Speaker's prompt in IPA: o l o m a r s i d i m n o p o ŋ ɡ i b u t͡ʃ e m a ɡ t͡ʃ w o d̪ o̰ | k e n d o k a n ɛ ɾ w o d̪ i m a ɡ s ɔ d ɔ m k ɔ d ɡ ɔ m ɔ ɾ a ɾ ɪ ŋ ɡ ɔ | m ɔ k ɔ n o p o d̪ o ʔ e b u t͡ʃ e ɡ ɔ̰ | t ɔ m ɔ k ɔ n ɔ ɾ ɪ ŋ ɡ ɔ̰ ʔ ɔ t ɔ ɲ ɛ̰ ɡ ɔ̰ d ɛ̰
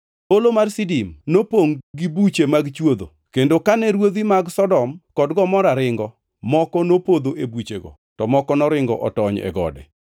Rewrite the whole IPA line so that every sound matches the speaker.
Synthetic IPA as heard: o l o m a r s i d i m n o p o ŋ ɡ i b u t͡ʃ e m a ɡ t͡ʃ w o d̪ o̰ | k e n d o k a n ɛ ɾ w o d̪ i m a ɡ s ɔ d ɔ m k ɔ d ɡ ɔ m ɔ ɾ a ɾ ɪ ŋ ɡ ɔ | m ɔ k ɔ n o p o d̪ o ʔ e b u t͡ʃ e ɡ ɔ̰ | t ɔ m ɔ k ɔ n ɔ ɾ ɪ ŋ ɡ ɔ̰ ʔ ɔ t ɔ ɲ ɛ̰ ɡ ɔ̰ d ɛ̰